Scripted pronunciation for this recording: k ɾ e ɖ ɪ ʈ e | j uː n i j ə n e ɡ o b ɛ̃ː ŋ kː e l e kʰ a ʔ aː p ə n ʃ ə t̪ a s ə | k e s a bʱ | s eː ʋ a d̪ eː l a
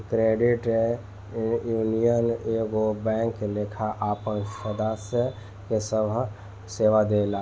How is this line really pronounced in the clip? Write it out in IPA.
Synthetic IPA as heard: k ɾ e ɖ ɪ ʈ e | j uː n i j ə n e ɡ o b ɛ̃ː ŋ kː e l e kʰ a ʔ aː p ə n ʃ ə d̪ a s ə | k e s ə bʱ | s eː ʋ a d̪ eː l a